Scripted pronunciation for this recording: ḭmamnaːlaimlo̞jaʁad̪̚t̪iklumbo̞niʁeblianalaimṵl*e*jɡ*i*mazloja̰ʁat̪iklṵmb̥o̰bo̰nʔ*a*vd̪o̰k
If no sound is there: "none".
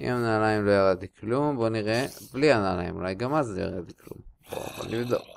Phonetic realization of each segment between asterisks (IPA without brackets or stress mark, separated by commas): a, a, i